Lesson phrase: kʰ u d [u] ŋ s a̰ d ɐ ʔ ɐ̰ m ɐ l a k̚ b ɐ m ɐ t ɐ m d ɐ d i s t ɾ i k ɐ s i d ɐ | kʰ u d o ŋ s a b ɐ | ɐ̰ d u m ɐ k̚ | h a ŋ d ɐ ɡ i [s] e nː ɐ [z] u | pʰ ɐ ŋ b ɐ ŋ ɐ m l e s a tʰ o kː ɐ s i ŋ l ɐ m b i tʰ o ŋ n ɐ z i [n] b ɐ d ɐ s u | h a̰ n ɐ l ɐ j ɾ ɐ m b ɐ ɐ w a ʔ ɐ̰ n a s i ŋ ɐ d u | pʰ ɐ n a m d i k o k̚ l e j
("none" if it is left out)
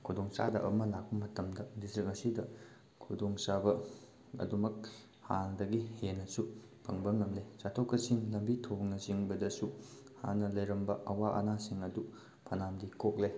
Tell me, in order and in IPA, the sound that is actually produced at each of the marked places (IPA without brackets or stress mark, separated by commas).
o, h, s, ŋ